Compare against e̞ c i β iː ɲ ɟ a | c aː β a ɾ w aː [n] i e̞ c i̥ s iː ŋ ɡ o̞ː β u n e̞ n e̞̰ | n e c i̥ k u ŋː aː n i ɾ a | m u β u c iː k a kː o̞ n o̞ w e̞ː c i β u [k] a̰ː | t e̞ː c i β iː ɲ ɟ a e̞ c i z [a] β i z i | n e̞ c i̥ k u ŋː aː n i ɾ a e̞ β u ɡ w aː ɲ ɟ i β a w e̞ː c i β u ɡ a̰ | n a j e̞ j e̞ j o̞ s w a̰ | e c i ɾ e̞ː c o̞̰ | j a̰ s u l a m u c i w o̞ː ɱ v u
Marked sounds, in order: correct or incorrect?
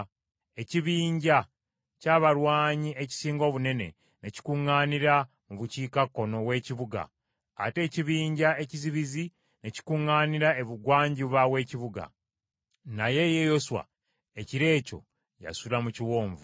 incorrect: ɲ, incorrect: ɡ, incorrect: i

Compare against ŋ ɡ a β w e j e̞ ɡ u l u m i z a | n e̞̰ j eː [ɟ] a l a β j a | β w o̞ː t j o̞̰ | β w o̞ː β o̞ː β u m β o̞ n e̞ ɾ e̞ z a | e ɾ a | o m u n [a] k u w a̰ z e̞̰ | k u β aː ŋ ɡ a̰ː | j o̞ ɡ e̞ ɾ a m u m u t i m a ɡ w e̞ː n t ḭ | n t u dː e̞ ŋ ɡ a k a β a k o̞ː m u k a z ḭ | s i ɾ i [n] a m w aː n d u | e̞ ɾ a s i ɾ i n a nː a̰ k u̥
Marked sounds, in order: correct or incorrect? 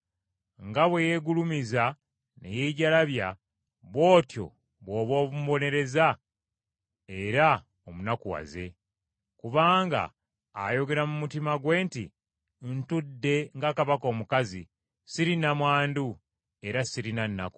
correct, correct, correct

